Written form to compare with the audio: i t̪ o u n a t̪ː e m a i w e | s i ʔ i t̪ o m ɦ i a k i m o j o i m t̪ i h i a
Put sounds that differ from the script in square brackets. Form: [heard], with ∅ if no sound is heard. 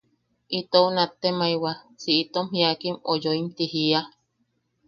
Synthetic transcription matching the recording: i t̪ o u n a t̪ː e m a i w [a] | s i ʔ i t̪ o m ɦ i a k i m o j o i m t̪ i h i a